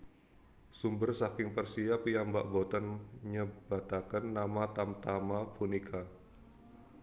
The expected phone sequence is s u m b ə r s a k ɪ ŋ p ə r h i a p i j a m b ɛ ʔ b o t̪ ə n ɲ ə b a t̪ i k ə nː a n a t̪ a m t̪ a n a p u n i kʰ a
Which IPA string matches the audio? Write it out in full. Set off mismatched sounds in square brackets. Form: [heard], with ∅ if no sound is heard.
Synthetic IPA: s u m b ə r s a k ɪ ŋ p ə r [s] i a p i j a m b [a] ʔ b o t̪ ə n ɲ ə b a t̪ [a] k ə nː a [m] a t̪ a m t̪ a [m] a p u n i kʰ a